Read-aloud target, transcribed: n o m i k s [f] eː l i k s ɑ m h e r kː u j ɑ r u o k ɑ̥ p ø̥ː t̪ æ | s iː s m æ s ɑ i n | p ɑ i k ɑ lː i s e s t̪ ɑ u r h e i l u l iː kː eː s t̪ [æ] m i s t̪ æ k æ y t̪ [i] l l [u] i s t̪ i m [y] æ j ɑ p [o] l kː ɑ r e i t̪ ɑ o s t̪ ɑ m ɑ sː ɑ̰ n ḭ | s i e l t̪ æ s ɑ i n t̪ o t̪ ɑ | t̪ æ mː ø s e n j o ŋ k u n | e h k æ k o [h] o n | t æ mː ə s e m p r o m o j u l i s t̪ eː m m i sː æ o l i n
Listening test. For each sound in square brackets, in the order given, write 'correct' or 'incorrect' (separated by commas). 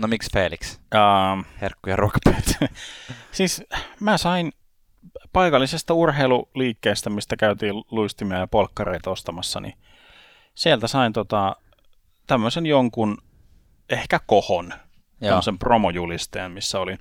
correct, correct, incorrect, correct, incorrect, correct, correct